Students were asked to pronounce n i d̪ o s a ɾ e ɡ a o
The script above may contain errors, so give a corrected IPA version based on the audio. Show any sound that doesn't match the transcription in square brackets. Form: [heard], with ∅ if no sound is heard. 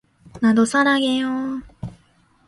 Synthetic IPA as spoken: n [a] d̪ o s a ɾ [a] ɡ [e] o